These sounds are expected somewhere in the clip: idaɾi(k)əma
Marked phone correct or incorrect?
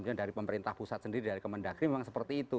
correct